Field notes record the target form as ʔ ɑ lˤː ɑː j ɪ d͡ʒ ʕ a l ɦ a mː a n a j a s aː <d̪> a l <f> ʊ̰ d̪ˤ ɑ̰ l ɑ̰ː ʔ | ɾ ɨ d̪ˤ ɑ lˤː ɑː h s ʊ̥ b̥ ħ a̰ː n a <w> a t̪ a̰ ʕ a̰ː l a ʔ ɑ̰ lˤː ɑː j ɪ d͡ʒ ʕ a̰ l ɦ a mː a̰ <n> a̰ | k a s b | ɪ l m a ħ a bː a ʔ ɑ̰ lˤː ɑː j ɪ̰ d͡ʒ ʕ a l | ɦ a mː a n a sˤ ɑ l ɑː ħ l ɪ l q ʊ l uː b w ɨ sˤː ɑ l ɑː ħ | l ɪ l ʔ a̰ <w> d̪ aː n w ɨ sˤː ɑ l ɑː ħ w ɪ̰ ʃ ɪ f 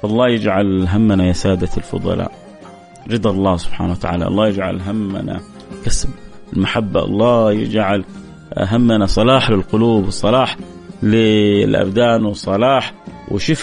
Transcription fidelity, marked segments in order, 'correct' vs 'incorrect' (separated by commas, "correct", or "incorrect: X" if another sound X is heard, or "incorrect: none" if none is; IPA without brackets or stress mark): correct, correct, correct, correct, incorrect: b